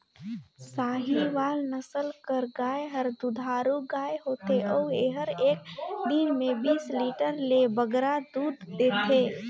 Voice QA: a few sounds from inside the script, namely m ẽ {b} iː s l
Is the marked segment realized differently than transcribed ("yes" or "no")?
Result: no